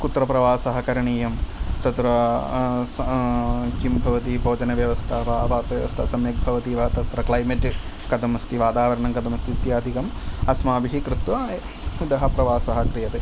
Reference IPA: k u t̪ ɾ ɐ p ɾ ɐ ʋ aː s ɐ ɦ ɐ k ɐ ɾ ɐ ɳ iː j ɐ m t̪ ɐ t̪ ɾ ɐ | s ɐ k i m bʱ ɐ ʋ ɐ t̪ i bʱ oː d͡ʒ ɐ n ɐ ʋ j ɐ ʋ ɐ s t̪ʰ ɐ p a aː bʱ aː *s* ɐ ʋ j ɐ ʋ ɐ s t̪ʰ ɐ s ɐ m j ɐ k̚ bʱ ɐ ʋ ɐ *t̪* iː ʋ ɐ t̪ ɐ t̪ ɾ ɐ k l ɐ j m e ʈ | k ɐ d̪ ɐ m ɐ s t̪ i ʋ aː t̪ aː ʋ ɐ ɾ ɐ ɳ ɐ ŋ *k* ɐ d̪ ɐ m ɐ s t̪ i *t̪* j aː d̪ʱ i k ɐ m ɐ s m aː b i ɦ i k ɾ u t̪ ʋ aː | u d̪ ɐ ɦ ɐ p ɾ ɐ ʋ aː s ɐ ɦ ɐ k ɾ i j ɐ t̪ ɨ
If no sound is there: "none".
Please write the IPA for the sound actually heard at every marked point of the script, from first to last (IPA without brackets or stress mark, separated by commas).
s, t̪, k, t̪